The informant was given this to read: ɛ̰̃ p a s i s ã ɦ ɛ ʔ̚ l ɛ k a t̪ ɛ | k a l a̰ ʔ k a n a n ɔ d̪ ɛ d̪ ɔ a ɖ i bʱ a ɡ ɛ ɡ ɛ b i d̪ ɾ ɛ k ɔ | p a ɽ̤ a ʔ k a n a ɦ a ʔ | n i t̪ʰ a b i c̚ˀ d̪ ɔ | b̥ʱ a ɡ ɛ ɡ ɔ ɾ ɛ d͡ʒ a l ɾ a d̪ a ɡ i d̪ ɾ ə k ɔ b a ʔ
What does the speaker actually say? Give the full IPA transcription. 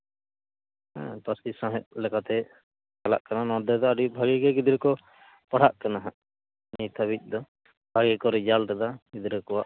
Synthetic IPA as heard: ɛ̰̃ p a s i s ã ɦ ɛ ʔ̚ l ɛ k a t̪ ɛ | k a l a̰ ʔ k a n a n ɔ d̪ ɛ d̪ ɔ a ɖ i bʱ a ɡ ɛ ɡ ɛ ɡ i d̪ ɾ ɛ k ɔ | p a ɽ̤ a ʔ k a n a ɦ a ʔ | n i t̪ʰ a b i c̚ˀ d̪ ɔ | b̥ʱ a ɡ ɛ k ɔ ɾ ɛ d͡ʒ a l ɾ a d̪ a ɡ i d̪ ɾ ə k ɔ w a ʔ